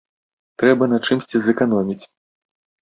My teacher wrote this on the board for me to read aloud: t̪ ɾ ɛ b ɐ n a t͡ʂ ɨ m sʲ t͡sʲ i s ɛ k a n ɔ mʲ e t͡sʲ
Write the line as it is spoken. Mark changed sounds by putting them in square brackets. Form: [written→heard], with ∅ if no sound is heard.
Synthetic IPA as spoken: t̪ ɾ ɛ b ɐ n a t͡ʂ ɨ m sʲ t͡sʲ i [s→z] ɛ k a n ɔ mʲ [e→i] t͡sʲ